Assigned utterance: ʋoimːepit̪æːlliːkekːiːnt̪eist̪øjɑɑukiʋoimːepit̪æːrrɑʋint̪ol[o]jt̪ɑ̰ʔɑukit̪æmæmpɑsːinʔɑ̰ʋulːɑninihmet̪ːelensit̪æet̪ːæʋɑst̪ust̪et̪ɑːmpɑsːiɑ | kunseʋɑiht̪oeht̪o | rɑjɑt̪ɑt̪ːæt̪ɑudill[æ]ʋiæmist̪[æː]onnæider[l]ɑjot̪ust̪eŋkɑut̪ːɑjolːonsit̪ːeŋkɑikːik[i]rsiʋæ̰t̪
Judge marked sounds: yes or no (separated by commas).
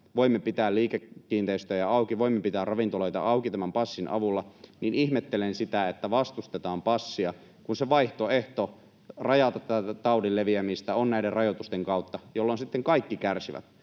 yes, no, no, no, no